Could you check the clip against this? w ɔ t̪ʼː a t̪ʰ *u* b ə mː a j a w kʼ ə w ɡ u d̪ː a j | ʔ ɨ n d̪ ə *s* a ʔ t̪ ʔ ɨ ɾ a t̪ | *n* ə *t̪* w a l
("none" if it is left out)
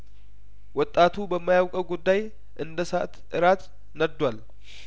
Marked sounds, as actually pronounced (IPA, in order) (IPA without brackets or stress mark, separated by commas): u, s, n, d̪